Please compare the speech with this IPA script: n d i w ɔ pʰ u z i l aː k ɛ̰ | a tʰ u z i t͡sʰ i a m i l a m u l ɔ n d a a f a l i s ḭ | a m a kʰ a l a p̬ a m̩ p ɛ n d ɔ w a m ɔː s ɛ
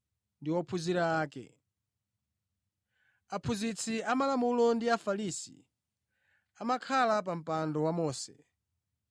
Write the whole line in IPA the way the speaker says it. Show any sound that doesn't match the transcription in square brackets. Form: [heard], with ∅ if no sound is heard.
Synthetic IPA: n d i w ɔ pʰ u z i [ɾ] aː k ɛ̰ | a [pʰ] u z i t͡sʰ i a m [a] l a m u l ɔ n d [i] a f a l i s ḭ | a m a kʰ a l a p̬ a m̩ p [a] n d ɔ w a m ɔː s ɛ